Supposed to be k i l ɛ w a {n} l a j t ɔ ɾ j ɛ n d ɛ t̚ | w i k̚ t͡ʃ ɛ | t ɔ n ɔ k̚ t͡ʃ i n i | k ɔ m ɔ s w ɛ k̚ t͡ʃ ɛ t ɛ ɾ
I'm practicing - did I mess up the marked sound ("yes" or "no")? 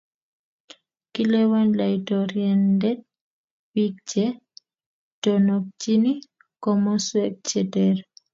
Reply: no